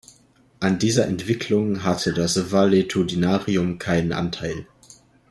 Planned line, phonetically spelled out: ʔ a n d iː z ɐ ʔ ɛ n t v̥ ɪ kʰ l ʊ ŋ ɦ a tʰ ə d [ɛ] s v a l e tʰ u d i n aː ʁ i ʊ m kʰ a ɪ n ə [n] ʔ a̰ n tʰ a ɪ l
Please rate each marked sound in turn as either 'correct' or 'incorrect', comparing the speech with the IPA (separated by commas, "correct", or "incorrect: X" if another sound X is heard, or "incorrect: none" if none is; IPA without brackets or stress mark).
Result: incorrect: a, correct